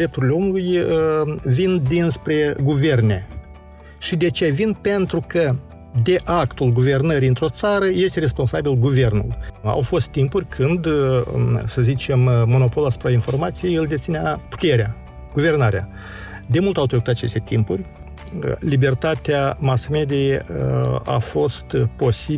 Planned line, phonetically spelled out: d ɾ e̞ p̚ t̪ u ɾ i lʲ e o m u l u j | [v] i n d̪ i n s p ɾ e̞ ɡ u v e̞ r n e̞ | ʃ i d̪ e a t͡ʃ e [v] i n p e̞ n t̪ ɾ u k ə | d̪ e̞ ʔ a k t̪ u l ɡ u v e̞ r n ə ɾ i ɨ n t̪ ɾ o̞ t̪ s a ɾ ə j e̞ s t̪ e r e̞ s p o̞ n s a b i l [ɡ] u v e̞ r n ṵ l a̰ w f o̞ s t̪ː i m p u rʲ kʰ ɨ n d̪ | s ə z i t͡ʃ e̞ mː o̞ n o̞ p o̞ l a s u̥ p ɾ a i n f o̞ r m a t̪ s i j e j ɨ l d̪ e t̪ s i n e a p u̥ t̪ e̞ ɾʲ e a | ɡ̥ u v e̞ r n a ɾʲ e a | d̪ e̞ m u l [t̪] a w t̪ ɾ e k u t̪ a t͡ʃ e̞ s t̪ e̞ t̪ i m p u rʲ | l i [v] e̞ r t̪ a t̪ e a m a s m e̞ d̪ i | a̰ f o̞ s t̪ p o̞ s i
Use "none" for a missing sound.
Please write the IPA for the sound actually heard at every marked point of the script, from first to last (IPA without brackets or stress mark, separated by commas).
v, v, ɡ, t̪, b